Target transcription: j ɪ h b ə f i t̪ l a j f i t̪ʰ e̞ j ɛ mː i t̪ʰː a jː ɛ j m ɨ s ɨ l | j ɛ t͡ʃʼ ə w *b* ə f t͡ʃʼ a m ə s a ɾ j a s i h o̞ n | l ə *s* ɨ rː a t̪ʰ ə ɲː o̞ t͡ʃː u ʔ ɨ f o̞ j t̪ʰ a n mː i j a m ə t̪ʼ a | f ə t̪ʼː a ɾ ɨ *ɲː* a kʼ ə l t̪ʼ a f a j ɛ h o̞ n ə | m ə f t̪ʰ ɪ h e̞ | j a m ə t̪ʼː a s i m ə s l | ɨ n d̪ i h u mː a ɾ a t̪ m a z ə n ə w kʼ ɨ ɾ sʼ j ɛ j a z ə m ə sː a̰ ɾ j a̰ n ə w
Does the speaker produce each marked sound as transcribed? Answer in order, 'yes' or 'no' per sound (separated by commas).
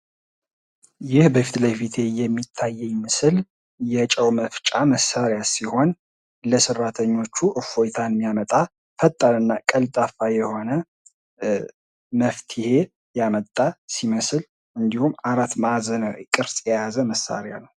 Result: no, yes, no